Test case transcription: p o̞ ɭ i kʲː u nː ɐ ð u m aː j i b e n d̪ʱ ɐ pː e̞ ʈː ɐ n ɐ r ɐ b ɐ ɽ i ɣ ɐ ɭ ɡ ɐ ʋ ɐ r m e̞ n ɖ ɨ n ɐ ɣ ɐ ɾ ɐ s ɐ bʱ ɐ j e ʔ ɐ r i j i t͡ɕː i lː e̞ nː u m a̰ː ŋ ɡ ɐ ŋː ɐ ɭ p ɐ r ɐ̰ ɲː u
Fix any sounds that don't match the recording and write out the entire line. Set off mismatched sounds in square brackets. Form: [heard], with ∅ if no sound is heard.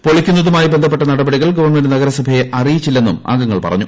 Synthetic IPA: p o̞ ɭ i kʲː u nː ɐ ð u m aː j i b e n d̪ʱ ɐ pː e̞ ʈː ɐ n ɐ [ɽ] ɐ b ɐ ɽ i ɣ ɐ ɭ ɡ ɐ ʋ ɐ r m e̞ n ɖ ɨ n ɐ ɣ ɐ ɾ ɐ s ɐ bʱ ɐ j e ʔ ɐ r i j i t͡ɕː i lː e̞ nː u m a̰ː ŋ ɡ ɐ ŋː ɐ ɭ p ɐ r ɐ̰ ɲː u